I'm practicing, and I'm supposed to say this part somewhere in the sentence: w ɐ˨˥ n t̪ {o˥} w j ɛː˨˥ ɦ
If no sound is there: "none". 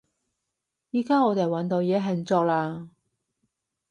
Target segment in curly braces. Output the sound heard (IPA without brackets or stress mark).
o˨˧